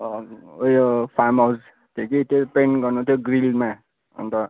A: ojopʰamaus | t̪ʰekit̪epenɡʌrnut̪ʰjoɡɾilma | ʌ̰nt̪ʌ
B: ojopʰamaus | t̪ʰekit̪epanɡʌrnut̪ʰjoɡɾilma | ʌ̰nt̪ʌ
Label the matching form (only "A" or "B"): A